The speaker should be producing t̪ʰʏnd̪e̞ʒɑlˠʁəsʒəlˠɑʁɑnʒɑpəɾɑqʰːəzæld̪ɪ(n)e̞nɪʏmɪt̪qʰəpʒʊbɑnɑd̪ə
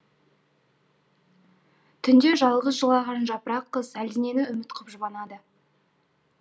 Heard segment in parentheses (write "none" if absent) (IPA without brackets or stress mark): n